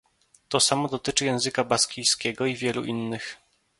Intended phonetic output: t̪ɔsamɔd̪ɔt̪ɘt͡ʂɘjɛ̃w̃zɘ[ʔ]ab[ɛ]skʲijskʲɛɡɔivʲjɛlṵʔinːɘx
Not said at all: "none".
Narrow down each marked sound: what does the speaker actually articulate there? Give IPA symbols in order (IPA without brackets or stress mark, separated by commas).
k, a